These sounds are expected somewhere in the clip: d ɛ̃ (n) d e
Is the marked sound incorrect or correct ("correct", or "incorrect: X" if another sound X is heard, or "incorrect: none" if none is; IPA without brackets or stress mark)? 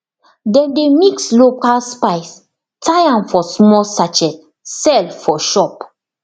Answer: correct